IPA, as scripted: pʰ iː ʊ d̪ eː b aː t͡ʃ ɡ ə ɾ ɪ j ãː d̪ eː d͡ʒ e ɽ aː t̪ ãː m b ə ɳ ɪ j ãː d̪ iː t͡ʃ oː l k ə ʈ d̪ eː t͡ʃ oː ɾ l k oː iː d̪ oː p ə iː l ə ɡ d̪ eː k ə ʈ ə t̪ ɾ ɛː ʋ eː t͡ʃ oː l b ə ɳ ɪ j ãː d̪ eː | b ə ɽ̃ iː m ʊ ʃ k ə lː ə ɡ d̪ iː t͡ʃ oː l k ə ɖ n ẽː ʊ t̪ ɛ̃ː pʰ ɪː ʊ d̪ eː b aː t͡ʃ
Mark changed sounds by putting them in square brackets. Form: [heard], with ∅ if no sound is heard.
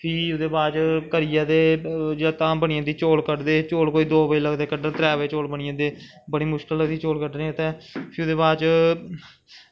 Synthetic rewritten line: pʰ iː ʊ d̪ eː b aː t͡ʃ [k] ə ɾ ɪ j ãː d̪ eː d͡ʒ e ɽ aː t̪ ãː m b ə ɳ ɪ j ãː d̪ iː t͡ʃ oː l k ə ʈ d̪ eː t͡ʃ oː [∅] l k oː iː d̪ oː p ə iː l ə ɡ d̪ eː k ə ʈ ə t̪ ɾ ɛː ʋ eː t͡ʃ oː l b ə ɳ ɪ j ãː d̪ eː | b ə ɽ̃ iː m ʊ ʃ k ə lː ə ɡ d̪ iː t͡ʃ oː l k ə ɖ n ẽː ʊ t̪ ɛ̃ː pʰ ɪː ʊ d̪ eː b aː t͡ʃ